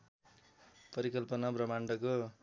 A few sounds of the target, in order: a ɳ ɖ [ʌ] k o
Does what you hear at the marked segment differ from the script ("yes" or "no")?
no